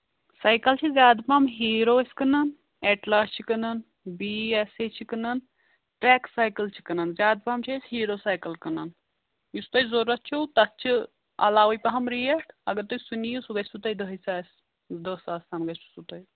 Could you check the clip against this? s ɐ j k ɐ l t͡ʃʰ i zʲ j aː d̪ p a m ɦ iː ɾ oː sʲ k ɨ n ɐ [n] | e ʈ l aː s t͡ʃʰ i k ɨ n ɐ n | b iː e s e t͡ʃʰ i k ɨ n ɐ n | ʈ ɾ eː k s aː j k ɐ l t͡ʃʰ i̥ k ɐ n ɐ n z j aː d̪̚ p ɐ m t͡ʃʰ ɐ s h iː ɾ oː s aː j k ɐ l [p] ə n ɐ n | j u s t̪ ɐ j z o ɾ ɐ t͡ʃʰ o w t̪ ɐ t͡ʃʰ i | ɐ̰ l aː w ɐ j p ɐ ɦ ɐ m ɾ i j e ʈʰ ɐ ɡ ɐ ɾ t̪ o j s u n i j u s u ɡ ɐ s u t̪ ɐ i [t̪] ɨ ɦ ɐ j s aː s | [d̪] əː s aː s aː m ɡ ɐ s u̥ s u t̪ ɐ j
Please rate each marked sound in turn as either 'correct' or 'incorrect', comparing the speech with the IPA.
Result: correct, incorrect, incorrect, correct

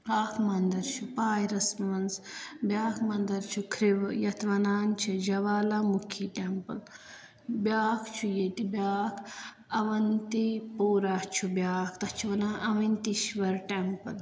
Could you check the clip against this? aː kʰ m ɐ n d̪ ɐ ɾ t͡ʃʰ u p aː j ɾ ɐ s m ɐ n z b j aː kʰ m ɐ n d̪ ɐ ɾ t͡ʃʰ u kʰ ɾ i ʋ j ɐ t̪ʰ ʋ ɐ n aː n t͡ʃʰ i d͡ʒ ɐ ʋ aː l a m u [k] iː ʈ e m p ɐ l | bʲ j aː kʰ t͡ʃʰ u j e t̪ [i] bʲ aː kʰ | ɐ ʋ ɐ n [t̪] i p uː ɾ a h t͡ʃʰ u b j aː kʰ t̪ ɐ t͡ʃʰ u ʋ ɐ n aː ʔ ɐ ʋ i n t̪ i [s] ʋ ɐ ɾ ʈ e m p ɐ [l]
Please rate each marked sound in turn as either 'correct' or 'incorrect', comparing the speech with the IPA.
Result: incorrect, correct, correct, incorrect, correct

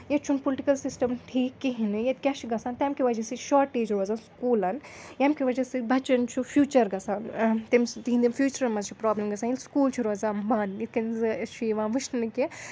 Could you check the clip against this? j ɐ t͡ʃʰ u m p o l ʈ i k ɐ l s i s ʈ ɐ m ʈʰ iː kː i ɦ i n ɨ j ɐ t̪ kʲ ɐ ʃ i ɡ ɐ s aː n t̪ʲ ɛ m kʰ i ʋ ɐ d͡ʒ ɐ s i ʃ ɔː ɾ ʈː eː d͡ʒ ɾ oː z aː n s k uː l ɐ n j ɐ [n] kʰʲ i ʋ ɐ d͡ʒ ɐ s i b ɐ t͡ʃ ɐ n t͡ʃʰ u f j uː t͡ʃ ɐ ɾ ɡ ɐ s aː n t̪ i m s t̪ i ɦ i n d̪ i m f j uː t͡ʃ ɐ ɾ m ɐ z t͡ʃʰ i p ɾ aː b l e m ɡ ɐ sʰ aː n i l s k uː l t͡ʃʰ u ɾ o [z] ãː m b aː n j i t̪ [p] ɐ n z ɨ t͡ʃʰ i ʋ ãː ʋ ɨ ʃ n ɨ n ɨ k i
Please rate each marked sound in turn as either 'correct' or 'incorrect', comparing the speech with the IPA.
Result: incorrect, correct, incorrect

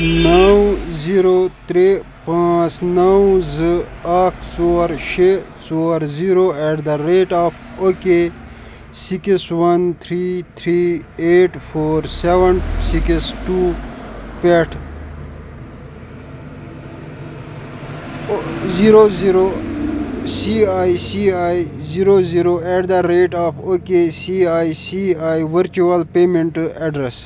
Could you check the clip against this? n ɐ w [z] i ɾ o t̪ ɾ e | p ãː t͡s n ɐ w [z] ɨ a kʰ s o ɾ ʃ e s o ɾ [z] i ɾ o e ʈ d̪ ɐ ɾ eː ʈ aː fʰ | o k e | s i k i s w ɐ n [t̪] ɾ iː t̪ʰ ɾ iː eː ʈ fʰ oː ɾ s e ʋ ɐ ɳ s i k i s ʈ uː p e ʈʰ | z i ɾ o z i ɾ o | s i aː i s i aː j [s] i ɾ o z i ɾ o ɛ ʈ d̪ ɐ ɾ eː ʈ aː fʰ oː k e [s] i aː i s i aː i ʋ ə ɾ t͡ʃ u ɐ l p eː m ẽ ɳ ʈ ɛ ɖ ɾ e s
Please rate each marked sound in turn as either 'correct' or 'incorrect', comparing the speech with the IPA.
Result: correct, correct, correct, incorrect, incorrect, correct

